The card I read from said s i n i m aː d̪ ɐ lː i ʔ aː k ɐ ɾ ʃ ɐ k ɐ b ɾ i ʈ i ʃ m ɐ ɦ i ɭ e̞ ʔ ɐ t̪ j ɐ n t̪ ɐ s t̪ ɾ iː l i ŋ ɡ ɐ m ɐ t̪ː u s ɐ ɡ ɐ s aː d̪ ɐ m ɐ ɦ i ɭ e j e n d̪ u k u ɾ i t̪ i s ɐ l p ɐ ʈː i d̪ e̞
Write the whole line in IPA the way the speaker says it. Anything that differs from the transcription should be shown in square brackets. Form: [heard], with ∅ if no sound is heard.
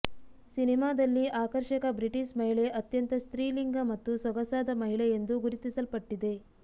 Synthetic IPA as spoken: s i n i m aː d̪ ɐ lː i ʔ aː k ɐ ɾ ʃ ɐ k ɐ b ɾ i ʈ i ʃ m ɐ ɦ i ɭ e̞ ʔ ɐ t̪ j ɐ n t̪ ɐ s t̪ ɾ iː l i ŋ ɡ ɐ m ɐ t̪ː u s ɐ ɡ ɐ s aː d̪ ɐ m ɐ ɦ i ɭ e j e n d̪ u [ɡ] u ɾ i t̪ i s ɐ l p ɐ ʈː i d̪ e̞